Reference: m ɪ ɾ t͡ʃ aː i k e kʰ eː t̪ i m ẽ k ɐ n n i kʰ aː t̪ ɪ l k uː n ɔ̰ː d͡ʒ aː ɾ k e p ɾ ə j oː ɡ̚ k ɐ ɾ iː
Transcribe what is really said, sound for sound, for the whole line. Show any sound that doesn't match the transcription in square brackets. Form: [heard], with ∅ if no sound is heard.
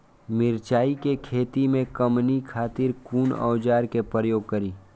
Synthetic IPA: m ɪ ɾ t͡ʃ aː i k e kʰ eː t̪ i m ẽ k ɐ [m] n i kʰ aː t̪ ɪ [ɾ] k uː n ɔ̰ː d͡ʒ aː ɾ k e p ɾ ə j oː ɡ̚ k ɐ ɾ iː